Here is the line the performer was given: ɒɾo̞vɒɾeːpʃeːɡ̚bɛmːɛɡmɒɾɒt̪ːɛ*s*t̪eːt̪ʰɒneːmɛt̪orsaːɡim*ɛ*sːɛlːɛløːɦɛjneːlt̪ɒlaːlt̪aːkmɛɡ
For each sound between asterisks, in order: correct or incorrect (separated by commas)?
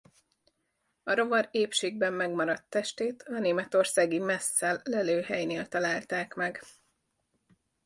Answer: incorrect, correct